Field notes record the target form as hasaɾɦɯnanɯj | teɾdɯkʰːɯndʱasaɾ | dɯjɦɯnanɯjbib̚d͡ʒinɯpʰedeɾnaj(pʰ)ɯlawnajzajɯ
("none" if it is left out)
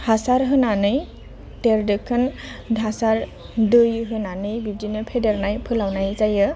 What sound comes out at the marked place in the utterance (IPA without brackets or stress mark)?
pʰ